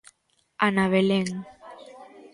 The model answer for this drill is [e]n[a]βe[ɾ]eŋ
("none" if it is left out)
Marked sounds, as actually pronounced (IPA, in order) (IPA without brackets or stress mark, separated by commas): a, a, l